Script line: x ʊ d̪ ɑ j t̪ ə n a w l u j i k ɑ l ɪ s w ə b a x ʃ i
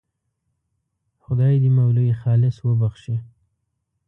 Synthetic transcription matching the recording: x ʊ d̪ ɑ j d̪ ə m a w l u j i x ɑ l ɪ s w ə b a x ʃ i